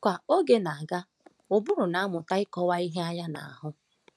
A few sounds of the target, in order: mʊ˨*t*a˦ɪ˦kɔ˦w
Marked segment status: correct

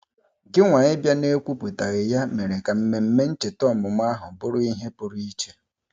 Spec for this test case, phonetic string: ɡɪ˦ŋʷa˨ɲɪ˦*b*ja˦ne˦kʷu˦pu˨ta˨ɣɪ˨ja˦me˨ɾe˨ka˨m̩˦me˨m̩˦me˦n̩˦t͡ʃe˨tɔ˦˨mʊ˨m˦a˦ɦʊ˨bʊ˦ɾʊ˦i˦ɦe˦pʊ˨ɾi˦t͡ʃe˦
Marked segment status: correct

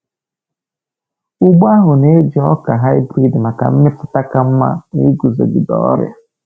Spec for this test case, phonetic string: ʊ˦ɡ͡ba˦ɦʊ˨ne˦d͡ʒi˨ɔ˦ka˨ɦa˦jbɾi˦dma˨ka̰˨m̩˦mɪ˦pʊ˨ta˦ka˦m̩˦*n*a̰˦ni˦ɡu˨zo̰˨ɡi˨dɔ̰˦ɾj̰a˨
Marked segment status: incorrect: m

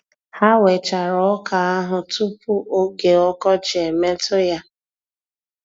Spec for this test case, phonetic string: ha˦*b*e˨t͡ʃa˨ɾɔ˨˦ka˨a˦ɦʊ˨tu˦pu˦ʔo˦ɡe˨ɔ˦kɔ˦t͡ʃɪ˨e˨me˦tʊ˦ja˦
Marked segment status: incorrect: w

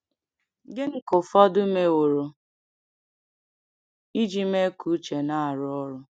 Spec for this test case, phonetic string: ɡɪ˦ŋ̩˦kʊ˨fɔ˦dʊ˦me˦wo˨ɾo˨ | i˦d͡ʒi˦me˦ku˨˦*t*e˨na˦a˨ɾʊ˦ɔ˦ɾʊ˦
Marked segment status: incorrect: t͡ʃ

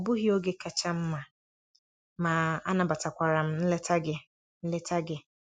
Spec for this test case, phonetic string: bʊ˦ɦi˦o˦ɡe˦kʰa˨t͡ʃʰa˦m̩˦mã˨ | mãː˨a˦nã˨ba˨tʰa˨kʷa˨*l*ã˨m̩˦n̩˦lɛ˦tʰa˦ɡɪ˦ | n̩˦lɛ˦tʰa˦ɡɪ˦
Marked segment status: incorrect: ɾ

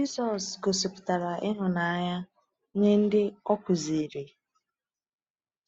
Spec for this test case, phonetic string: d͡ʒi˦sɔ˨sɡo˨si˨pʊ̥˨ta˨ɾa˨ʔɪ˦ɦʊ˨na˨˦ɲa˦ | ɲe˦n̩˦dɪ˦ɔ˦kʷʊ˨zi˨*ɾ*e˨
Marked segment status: correct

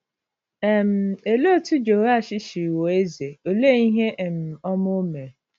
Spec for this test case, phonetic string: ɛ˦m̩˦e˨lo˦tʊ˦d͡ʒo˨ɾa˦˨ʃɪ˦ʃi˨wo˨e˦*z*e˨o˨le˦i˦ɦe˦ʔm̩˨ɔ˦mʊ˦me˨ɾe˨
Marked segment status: correct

